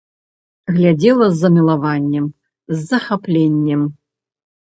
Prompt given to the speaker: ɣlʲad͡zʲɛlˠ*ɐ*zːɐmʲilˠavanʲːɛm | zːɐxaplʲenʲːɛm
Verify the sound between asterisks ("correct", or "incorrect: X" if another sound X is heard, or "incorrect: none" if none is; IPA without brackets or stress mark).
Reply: correct